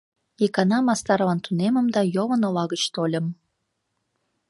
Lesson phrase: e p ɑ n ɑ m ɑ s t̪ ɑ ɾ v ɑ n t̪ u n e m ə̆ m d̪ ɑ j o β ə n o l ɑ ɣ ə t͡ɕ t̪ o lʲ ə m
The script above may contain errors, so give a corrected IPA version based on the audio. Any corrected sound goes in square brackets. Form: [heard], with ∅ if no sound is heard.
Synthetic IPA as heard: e [k] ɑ n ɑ m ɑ s t̪ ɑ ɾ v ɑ n t̪ u n e m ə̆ m d̪ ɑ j o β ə n o l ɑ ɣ ə t͡ɕ t̪ o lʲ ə m